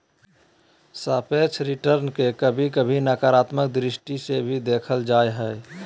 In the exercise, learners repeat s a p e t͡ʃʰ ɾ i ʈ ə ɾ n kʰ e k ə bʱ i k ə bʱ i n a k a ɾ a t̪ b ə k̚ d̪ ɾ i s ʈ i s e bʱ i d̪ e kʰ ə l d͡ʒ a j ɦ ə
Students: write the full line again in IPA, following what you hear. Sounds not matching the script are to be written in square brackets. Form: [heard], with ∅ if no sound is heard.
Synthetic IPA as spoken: s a p e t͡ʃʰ ɾ i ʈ ə ɾ n [k] e k ə bʱ i k ə bʱ i n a k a ɾ a t̪ [m] ə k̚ d̪ ɾ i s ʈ i s e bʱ i d̪ e kʰ ə l d͡ʒ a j ɦ ə